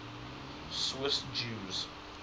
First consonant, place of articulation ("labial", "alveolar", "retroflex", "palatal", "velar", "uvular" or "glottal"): alveolar